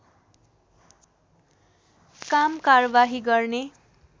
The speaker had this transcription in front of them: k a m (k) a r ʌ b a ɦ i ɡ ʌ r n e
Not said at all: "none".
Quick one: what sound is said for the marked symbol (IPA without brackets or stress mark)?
k